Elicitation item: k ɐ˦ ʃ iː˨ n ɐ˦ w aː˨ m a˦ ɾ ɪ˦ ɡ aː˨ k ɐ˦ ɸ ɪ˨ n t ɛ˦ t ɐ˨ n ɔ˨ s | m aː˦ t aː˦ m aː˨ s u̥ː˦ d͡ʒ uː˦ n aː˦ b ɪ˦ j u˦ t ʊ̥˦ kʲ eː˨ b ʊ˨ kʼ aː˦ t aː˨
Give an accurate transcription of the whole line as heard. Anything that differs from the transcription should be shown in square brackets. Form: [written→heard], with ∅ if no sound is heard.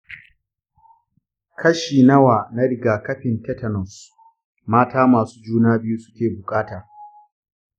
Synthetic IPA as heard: k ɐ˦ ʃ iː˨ n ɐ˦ w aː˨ [m→n] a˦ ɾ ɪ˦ ɡ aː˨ k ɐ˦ ɸ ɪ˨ n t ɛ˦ t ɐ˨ n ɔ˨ s | m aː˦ t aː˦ m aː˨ s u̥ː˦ d͡ʒ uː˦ n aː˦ b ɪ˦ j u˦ [t→s] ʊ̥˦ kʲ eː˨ b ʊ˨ kʼ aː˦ t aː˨